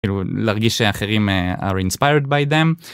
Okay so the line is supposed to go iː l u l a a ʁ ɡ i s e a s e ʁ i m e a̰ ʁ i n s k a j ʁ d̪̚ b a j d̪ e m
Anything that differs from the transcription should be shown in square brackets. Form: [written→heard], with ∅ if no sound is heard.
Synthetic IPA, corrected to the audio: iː l u l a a ʁ ɡ i [s→ʃ] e a [s→χ] e ʁ i m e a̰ ʁ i n s [k→p] a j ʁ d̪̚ b a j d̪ e m